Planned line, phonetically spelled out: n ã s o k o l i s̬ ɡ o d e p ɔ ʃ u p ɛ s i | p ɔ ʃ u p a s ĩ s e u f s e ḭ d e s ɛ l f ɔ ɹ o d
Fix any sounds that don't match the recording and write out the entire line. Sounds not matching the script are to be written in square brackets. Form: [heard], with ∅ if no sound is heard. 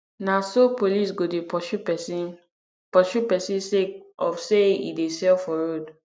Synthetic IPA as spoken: n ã s o [p] o l i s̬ ɡ o d e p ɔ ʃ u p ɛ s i | p ɔ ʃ u p [ɛ] s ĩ s e [ɔ] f s e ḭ d e s ɛ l f ɔ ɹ o d

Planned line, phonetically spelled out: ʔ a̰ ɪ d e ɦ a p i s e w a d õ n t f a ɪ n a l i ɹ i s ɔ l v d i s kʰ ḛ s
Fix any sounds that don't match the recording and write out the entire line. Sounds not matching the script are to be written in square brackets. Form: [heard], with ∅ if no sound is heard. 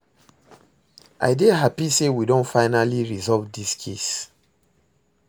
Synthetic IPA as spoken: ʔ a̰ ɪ d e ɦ a p i s e w [i] d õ n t f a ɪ n a l i ɹ i [z] ɔ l v d i s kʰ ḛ s

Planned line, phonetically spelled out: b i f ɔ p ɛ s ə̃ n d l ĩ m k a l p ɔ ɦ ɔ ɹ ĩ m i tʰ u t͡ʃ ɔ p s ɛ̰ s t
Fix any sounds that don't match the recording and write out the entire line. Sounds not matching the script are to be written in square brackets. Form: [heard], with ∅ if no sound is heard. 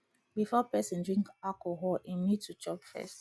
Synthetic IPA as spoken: b i f ɔ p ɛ s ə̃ n d [ɹ] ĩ [ŋ] k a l [k] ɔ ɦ ɔ [l] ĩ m i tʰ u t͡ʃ ɔ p [f] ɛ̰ s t

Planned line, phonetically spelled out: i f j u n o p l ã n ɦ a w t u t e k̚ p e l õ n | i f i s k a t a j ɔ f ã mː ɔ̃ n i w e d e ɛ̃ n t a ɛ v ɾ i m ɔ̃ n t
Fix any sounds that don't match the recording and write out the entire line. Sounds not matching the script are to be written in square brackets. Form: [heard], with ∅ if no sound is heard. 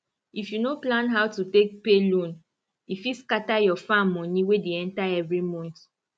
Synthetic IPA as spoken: i f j u n o p l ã n ɦ a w t u t e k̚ p e l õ n | i f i s k a t a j ɔ f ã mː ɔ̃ n i w e d e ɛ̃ n t a ɛ v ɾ i m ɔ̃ n t

